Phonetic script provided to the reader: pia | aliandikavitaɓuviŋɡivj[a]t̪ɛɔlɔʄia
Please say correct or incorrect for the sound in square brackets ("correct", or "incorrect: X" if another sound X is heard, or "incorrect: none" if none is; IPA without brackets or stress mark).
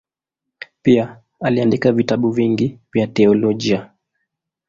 correct